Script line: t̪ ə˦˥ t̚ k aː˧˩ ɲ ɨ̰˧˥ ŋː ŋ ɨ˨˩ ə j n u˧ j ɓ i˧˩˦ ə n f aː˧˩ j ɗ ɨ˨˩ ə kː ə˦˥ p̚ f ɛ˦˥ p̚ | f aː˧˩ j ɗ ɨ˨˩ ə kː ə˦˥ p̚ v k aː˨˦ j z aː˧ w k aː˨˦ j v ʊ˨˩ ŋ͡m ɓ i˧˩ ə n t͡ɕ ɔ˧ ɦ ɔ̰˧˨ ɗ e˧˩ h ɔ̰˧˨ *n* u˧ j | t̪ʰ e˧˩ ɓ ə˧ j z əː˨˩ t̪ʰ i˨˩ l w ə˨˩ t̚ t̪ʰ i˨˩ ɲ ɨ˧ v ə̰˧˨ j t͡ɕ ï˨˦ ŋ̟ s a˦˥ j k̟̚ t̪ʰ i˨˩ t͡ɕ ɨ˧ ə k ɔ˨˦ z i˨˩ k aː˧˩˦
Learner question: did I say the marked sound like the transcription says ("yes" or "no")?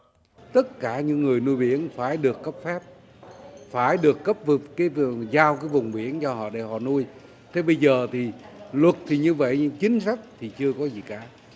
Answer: yes